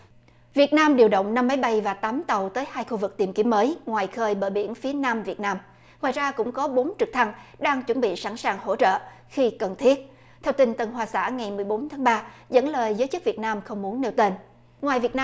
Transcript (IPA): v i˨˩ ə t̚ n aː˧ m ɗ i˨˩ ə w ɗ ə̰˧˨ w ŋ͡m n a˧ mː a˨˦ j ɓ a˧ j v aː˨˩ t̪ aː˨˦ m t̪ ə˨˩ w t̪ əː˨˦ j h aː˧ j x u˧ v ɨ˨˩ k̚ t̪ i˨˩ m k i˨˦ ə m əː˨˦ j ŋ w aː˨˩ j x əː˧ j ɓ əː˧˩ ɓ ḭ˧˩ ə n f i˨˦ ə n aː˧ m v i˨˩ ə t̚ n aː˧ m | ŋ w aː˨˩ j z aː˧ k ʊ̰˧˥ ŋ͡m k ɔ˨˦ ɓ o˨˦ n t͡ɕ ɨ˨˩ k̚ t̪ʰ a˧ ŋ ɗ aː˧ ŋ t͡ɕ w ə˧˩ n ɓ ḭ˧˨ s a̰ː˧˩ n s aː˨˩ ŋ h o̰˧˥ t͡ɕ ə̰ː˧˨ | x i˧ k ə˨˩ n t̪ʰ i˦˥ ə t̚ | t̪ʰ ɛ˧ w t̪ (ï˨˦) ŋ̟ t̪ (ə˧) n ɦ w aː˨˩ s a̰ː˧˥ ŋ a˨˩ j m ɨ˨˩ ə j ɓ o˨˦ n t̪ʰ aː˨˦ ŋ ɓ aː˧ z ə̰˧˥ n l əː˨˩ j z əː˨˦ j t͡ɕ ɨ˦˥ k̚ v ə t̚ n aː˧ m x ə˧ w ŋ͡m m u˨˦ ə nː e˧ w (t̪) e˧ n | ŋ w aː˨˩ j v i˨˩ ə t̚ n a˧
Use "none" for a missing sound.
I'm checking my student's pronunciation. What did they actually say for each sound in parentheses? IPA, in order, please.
ï˧˩, ə˨˩, t̪

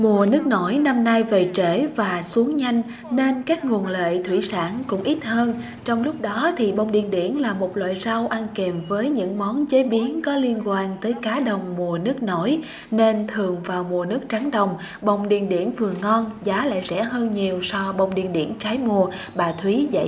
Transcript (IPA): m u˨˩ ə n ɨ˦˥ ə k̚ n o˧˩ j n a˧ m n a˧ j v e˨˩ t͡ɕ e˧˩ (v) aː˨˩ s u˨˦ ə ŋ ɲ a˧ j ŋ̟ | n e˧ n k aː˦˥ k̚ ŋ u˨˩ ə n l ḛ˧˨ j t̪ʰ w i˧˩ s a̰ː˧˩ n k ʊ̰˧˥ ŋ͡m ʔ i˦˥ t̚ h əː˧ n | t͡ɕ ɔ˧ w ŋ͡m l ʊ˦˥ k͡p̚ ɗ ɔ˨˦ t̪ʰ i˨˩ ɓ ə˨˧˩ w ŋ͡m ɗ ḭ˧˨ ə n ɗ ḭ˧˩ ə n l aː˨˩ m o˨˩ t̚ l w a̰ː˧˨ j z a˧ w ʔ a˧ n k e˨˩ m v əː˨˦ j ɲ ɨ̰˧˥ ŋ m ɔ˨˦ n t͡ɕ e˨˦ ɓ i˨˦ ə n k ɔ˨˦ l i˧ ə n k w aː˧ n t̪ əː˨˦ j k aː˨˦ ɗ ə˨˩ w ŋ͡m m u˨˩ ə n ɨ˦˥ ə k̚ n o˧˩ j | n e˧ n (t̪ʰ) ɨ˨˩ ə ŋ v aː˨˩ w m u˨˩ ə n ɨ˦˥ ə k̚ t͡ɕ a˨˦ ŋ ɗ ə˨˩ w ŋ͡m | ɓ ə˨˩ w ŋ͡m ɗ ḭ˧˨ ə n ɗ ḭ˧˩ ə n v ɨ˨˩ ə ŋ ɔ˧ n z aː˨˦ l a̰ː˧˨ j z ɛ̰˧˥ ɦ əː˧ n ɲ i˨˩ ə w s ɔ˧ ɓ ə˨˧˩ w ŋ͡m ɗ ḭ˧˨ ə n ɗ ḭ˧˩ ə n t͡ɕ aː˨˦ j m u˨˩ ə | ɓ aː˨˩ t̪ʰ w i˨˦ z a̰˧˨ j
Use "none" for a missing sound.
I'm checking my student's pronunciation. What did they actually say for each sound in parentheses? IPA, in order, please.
v, t̪ʰ

